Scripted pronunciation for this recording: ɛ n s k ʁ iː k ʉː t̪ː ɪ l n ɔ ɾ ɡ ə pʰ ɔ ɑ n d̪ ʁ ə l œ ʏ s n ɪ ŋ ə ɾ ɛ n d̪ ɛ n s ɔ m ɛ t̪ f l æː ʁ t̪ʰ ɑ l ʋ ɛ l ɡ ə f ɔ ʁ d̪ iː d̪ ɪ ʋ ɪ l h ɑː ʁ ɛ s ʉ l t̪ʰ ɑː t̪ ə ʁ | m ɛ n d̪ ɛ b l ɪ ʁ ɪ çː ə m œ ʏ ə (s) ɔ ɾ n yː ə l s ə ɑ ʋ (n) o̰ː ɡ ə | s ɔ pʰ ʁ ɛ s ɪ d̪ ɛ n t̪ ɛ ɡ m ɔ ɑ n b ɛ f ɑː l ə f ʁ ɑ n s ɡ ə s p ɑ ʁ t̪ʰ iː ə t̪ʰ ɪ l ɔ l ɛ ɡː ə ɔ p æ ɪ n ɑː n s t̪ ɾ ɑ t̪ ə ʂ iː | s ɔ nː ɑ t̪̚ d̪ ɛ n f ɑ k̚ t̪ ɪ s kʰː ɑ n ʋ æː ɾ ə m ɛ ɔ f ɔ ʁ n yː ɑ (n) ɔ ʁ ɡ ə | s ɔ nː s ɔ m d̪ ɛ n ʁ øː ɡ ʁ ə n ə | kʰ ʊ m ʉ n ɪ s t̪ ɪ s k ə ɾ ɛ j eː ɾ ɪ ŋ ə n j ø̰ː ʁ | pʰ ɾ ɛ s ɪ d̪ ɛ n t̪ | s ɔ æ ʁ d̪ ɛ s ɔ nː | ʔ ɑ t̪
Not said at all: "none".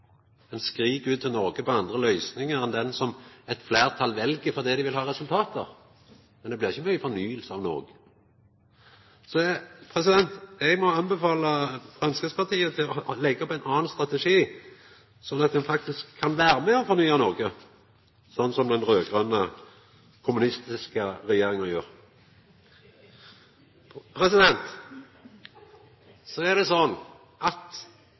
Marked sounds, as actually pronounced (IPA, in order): f, n, n

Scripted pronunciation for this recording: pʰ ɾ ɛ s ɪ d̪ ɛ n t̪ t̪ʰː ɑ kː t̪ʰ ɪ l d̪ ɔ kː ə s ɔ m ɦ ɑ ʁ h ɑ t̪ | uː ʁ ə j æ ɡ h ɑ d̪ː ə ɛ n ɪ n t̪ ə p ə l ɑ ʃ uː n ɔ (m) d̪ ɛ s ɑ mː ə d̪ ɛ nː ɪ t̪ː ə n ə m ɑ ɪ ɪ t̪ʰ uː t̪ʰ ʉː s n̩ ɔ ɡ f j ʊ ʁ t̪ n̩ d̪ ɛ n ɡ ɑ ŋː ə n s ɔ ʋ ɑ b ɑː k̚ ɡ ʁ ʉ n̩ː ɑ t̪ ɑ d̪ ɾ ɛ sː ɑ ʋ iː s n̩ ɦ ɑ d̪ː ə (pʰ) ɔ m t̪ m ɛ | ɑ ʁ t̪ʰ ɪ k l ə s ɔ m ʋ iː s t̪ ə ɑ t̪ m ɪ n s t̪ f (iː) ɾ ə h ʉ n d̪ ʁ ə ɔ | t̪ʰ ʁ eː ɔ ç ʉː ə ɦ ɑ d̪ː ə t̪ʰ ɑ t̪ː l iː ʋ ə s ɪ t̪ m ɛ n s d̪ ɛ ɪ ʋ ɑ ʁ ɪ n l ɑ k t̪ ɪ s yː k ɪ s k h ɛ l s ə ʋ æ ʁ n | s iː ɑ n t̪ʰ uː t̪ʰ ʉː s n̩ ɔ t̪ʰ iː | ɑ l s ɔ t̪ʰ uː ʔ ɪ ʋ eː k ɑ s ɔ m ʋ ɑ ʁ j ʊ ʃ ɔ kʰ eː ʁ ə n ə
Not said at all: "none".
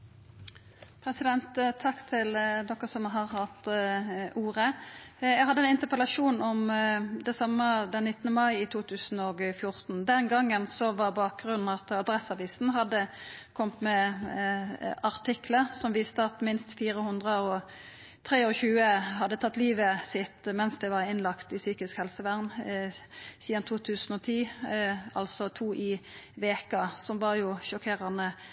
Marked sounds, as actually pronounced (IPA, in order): m, kʰ, iː

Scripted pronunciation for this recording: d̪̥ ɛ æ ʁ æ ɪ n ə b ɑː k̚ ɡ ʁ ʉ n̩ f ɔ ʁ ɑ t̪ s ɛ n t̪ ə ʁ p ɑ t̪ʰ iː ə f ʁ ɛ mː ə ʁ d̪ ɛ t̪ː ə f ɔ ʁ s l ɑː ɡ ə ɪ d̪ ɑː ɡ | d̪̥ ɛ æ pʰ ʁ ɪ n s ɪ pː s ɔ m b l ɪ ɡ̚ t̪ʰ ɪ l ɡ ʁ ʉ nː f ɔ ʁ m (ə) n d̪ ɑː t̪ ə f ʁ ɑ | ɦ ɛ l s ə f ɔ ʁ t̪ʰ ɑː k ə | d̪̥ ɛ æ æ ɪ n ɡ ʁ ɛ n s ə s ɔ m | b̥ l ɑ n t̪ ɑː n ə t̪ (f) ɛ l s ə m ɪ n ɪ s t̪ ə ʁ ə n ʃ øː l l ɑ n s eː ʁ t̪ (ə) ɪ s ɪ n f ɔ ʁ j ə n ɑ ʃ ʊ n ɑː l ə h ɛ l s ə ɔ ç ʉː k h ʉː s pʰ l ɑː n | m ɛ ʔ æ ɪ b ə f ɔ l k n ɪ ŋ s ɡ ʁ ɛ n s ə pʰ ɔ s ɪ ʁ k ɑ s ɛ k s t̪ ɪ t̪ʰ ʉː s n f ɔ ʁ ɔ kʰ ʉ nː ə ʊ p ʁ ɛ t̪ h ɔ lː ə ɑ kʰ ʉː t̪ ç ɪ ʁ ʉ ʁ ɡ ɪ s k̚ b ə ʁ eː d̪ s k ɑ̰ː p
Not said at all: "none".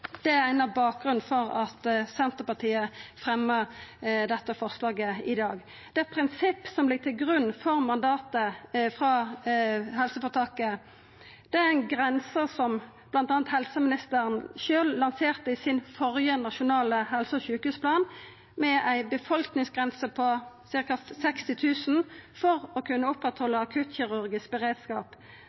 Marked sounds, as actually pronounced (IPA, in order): ɑ, h, ə

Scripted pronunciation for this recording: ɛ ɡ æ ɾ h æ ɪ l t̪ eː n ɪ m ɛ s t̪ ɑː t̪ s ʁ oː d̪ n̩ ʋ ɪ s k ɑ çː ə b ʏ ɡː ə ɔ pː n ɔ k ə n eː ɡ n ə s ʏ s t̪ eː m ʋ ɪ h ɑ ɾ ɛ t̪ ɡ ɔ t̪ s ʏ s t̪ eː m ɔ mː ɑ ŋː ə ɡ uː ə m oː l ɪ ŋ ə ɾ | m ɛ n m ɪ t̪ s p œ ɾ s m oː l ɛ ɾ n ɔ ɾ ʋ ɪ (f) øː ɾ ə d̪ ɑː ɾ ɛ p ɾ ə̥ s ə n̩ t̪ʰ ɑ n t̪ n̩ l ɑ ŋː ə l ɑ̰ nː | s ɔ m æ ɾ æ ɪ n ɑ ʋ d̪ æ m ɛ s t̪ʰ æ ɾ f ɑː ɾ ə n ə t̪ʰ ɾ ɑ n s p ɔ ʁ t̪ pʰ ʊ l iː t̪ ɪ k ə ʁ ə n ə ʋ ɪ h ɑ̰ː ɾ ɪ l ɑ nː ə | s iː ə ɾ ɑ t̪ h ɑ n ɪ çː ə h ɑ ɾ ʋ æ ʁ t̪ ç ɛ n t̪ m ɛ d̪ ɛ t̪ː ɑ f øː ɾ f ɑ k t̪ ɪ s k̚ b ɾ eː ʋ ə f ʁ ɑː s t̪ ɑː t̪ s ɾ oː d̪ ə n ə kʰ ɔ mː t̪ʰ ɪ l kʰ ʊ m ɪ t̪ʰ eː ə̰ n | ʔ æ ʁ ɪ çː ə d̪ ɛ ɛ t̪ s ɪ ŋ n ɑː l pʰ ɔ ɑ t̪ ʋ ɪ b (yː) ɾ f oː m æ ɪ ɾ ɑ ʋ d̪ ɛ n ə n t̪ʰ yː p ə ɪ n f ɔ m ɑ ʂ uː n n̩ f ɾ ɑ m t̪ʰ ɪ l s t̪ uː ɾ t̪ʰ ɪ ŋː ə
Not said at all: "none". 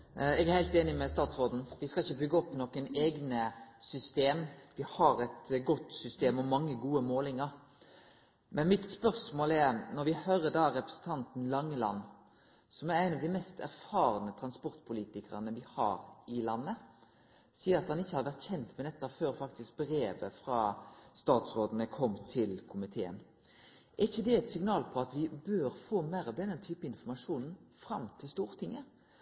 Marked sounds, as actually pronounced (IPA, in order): h, øː

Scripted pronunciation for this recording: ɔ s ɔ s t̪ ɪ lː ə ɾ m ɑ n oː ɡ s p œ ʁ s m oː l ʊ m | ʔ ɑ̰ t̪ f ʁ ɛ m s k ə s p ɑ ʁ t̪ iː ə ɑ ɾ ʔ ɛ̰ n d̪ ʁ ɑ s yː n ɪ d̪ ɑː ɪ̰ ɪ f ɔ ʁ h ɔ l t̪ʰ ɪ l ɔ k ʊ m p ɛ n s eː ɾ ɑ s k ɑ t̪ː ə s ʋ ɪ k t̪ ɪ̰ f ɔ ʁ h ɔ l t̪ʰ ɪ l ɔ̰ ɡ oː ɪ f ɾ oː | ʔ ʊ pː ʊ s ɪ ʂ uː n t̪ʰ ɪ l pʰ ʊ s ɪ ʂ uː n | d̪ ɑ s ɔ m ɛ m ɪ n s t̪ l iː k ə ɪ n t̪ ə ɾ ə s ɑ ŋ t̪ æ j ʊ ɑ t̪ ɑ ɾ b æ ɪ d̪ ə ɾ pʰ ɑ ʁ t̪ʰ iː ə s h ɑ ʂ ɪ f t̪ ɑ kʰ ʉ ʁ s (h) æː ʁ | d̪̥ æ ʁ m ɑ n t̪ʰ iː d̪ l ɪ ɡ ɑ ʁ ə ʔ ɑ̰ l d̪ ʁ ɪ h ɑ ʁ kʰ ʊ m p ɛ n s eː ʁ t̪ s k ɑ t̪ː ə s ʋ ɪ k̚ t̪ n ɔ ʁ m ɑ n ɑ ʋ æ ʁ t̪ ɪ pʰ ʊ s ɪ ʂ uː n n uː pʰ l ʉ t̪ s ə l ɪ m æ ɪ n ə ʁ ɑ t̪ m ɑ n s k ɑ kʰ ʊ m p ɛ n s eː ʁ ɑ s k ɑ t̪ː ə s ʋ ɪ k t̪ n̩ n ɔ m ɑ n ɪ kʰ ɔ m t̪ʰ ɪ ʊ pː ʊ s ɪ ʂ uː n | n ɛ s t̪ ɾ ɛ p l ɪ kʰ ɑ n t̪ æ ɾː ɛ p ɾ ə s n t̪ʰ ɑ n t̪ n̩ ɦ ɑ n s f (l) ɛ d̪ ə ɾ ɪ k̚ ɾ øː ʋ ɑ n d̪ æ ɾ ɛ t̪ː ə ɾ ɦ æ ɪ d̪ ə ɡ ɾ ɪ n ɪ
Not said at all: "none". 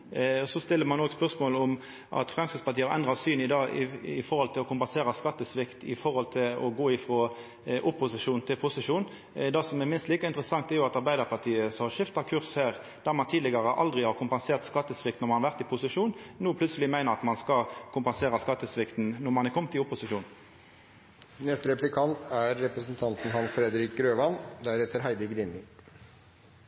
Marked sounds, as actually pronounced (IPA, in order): h, ɾ

